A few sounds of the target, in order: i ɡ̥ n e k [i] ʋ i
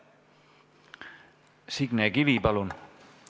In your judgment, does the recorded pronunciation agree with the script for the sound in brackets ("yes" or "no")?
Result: yes